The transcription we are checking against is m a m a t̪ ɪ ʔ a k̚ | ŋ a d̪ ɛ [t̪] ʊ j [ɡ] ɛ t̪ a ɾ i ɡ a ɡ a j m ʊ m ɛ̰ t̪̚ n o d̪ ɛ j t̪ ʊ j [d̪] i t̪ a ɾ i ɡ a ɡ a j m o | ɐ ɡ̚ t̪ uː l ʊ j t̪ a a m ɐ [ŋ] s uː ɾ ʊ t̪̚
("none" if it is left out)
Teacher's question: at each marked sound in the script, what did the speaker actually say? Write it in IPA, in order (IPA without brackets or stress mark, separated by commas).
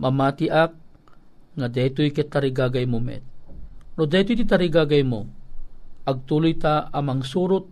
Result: t̪, k, t̪, ŋ